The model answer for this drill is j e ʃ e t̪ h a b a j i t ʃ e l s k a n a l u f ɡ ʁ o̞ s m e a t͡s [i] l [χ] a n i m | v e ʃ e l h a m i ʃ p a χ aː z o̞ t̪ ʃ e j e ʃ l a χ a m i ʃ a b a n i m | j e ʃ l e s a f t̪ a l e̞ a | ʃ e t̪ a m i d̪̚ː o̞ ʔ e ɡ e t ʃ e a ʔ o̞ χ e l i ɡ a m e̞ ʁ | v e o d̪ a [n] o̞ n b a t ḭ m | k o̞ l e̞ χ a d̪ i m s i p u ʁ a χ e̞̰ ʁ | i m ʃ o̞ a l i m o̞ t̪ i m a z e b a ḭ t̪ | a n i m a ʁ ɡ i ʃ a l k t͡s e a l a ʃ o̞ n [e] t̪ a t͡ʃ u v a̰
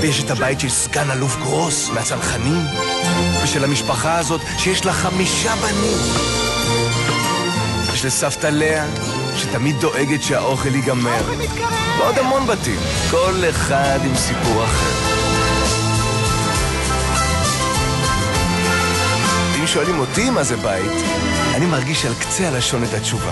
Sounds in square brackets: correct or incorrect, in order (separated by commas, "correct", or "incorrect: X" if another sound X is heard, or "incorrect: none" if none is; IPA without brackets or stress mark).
incorrect: a, correct, incorrect: m, correct